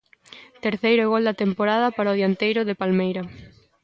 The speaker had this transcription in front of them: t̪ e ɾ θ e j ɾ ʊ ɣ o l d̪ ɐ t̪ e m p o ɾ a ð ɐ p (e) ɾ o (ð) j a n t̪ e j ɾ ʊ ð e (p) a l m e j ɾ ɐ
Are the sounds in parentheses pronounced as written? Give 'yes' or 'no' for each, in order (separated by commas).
no, yes, yes